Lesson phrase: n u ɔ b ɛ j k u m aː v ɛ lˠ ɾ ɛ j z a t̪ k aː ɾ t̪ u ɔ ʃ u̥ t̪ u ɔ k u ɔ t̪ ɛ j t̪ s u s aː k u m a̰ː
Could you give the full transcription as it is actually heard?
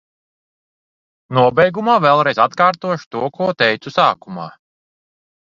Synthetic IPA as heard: n u ɔ b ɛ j ɡ u m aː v ɛ lˠ ɾ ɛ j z a t̪ k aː ɾ t̪ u ɔ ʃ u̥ t̪ u ɔ k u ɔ t̪ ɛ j t̪ s u s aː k u m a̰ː